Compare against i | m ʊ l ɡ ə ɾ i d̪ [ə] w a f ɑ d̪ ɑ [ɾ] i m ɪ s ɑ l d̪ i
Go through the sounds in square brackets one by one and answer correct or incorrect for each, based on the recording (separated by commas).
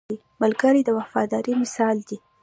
correct, correct